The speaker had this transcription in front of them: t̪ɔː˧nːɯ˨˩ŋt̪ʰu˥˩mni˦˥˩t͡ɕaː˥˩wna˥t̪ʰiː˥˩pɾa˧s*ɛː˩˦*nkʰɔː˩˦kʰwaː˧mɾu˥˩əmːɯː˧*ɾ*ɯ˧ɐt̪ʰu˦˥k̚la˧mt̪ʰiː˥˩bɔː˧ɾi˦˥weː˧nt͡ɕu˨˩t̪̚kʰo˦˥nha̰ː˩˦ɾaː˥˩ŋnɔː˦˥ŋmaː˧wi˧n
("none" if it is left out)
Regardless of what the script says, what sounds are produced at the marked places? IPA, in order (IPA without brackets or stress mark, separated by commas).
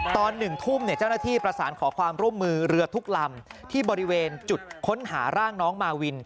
aː˩˦, ɾ